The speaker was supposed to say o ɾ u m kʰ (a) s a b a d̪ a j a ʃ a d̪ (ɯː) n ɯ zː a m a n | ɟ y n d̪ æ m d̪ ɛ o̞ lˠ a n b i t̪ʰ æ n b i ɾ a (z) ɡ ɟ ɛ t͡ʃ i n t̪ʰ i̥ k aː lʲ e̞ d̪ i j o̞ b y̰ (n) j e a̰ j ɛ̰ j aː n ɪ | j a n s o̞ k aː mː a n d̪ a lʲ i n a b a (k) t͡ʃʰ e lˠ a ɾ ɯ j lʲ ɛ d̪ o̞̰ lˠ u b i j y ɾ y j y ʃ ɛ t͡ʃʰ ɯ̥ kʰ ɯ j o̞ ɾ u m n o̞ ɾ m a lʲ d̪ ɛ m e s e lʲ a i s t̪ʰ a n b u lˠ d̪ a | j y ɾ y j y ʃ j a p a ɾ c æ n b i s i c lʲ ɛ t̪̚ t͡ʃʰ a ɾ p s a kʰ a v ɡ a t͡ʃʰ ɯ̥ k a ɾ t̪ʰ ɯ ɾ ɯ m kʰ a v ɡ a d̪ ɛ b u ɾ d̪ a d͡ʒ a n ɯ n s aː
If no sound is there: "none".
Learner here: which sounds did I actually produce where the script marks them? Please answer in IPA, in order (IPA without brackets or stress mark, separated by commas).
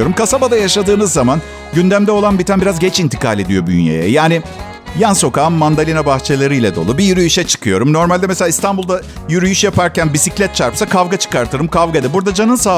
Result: a, ɯː, z, n, x